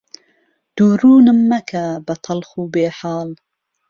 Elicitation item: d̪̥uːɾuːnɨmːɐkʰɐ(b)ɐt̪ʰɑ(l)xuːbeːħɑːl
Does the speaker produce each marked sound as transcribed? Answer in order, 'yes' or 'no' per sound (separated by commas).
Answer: yes, yes